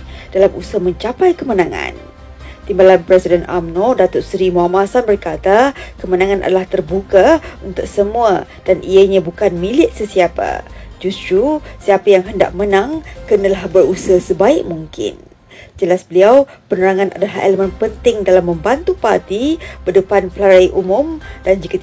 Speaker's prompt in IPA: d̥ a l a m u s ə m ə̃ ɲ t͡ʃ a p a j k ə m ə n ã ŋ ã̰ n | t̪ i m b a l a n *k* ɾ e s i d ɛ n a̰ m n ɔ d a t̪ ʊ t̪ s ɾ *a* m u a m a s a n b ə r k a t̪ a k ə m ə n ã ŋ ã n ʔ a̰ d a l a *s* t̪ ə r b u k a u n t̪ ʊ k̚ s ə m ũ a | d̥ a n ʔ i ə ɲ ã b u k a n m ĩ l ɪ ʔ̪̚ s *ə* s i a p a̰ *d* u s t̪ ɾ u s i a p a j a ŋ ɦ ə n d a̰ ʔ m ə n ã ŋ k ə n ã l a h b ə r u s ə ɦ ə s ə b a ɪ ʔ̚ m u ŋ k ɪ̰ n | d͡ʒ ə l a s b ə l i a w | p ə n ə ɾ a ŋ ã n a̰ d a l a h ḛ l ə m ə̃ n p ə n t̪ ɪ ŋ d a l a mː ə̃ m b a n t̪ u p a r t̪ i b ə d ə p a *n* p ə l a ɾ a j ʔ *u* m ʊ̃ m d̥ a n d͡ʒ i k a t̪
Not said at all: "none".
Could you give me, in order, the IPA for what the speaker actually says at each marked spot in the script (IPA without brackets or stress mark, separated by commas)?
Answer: p, i, h, ə, d͡ʒ, n, u